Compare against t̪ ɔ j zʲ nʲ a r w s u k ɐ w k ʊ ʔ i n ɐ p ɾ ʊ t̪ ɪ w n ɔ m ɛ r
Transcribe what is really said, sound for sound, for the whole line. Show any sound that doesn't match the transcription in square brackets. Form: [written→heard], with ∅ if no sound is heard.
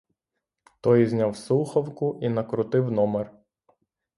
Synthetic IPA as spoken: t̪ ɔ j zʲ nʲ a [r→∅] w s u [k→x] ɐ w k ʊ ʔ i n ɐ [p→k] ɾ ʊ t̪ ɪ w n ɔ m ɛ r